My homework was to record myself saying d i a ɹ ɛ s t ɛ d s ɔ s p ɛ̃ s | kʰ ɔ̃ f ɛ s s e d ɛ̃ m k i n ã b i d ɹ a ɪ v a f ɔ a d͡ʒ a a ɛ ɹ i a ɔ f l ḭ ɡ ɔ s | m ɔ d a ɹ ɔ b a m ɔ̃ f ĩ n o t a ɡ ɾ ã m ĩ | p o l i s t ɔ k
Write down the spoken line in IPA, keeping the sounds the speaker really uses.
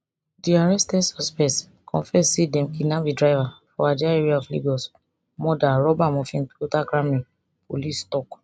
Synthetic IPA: d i a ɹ ɛ s t ɛ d s ɔ s p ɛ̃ s | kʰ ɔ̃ f ɛ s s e d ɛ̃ m k i n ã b i d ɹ a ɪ v a f ɔ a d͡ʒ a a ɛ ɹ i a ɔ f l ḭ ɡ ɔ s | m ɔ d a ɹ ɔ b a m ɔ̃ f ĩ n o t a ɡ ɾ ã m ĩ | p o l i s t ɔ k